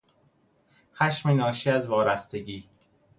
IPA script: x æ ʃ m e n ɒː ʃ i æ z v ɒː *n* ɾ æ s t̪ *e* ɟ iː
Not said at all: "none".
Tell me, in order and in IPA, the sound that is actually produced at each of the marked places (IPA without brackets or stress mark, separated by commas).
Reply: none, e